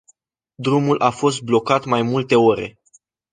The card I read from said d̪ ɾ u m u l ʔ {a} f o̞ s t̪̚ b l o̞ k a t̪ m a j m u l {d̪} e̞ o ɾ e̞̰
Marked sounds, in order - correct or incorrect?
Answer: correct, incorrect: t̪

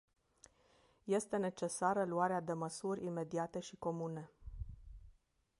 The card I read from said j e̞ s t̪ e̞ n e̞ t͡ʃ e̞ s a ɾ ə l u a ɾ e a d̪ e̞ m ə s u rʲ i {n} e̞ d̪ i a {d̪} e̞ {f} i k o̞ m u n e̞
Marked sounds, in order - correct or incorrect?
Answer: incorrect: m, incorrect: t̪, incorrect: ʃ

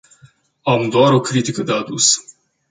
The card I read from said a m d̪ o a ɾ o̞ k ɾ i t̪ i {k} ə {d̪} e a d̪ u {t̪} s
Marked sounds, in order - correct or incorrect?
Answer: correct, correct, incorrect: none

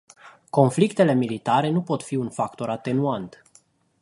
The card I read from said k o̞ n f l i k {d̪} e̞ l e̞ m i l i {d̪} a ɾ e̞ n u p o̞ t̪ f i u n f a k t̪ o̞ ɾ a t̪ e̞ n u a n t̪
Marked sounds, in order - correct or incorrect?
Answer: incorrect: t̪, incorrect: t̪

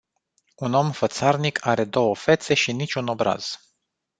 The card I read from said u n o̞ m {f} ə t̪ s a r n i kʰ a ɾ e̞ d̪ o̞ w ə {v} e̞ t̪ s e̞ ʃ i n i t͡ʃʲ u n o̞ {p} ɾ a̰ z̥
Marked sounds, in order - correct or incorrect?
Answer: correct, incorrect: f, incorrect: b

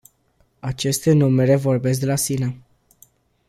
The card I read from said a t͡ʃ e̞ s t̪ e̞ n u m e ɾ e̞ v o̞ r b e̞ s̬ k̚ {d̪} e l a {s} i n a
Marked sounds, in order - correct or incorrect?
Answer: correct, correct

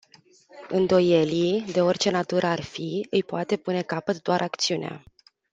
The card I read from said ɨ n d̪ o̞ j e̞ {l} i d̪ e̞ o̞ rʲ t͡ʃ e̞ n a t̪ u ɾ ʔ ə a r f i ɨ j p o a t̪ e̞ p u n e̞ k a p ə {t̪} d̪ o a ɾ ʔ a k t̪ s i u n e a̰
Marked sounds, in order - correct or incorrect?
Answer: correct, correct

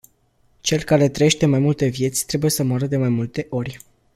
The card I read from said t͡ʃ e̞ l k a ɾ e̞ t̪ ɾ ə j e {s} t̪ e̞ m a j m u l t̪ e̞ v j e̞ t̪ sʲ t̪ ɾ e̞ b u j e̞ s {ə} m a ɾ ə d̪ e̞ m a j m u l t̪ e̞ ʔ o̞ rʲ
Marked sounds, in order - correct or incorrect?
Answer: incorrect: ʃ, correct

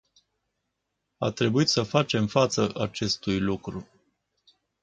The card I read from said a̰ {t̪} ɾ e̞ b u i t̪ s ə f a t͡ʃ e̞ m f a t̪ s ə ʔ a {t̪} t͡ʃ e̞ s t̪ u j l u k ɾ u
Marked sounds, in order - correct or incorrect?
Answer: correct, incorrect: none

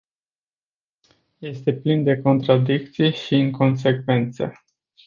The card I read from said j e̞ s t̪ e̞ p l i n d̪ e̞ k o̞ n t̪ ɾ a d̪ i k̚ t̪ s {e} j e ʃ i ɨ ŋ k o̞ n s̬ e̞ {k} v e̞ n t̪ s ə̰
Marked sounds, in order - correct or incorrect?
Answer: incorrect: i, correct

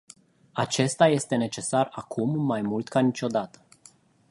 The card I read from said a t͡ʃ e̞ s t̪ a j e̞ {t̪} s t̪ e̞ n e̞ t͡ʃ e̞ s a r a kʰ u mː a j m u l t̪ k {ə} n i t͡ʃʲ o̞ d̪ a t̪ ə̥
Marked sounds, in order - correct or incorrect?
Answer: incorrect: none, incorrect: a

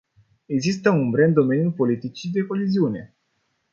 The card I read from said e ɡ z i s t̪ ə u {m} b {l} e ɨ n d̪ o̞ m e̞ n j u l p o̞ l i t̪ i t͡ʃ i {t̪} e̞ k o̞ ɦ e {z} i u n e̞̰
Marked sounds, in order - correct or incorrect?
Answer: correct, incorrect: ɾ, incorrect: d̪, correct

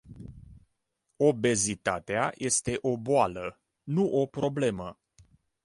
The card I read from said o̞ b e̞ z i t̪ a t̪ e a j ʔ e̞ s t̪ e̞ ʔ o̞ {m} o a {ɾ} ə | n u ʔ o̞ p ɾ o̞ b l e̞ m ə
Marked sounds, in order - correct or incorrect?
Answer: incorrect: b, incorrect: l

